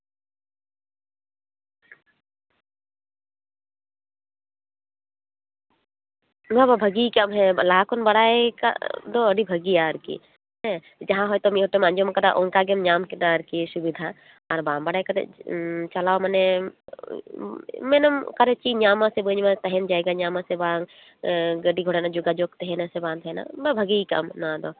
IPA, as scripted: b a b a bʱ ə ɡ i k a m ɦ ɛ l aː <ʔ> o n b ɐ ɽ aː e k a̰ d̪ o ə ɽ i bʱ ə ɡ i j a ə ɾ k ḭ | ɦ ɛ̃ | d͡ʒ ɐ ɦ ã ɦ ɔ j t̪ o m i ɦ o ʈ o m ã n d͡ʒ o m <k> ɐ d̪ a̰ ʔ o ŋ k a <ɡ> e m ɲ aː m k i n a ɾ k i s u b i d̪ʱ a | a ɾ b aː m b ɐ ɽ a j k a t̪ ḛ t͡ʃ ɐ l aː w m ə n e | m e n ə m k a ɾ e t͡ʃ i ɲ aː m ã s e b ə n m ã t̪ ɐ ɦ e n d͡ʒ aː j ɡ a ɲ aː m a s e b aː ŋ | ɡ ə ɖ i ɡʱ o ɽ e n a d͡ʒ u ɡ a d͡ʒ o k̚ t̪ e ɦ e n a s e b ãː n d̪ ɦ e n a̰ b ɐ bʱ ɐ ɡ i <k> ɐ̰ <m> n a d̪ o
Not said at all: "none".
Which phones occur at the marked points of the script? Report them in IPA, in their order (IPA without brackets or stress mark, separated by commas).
k, k, ɡ, k, m